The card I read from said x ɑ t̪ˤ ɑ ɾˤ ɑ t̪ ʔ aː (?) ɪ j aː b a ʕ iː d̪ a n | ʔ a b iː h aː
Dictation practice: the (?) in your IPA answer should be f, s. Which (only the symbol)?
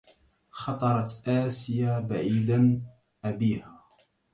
s